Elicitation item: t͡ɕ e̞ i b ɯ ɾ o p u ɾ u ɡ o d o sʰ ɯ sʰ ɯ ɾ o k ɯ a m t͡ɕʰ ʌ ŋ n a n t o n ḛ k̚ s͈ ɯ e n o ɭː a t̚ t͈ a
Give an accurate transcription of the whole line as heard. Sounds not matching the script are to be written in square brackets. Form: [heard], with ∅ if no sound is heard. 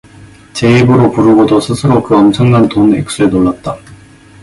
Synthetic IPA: t͡ɕ e̞ i b ɯ ɾ o p u ɾ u ɡ o d o sʰ ɯ sʰ ɯ ɾ o k ɯ [ʌ] m t͡ɕʰ ʌ ŋ n a n t o n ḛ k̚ s͈ [u] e n o ɭː a t̚ t͈ a